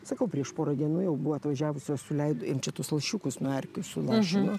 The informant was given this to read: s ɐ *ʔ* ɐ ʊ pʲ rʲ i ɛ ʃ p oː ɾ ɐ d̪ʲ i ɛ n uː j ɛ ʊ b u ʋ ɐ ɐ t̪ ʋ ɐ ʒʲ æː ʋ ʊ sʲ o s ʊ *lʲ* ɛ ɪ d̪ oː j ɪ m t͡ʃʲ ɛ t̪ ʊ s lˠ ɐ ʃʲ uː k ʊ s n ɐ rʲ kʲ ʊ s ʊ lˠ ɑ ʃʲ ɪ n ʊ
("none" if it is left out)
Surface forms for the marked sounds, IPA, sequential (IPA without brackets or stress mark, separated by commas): k, lʲ